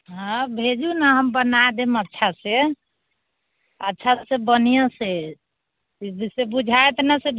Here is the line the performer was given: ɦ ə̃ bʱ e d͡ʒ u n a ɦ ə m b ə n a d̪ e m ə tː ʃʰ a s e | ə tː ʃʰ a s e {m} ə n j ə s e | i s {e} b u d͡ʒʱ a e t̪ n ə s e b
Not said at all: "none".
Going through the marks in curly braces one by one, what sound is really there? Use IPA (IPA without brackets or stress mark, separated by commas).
b, e